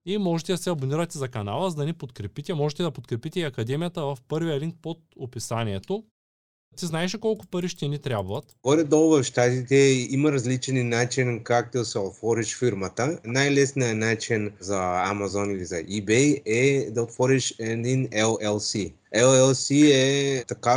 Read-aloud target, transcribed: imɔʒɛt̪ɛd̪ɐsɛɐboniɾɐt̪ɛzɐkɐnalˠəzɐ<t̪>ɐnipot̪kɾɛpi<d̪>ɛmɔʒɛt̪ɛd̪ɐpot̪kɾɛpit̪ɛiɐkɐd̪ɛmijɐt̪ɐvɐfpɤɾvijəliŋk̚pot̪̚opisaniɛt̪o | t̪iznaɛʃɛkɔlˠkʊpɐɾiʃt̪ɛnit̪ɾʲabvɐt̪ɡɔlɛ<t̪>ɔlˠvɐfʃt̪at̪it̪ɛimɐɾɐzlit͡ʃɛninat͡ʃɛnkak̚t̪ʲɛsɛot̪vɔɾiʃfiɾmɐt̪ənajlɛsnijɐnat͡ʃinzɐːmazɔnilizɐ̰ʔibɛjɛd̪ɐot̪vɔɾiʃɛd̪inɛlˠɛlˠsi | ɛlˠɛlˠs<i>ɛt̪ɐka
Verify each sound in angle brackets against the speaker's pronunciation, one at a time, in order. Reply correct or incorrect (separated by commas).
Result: incorrect, incorrect, incorrect, correct